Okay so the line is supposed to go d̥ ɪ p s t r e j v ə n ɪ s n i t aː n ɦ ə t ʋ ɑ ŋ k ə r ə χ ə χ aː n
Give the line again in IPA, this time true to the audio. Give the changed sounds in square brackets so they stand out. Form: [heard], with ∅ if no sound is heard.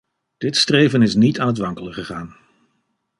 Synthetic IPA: d̥ ɪ [t] s t r e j v ə n ɪ s n i t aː n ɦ ə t ʋ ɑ ŋ k ə [l] ə χ ə χ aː n